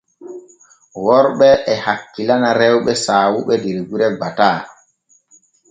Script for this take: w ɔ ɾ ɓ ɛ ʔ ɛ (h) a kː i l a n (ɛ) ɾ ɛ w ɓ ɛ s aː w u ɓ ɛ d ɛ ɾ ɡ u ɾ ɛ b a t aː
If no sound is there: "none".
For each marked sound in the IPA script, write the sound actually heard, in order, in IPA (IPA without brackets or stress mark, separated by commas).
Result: h, a